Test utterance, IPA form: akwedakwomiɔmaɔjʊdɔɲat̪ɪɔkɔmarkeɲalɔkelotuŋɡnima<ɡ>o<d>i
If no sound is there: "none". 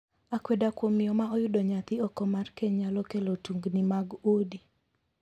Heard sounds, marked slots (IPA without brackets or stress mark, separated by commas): ɡ, d